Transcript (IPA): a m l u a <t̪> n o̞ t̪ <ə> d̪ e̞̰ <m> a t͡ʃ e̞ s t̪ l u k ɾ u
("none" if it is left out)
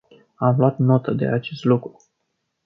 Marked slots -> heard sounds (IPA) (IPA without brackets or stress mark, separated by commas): t̪, ə, none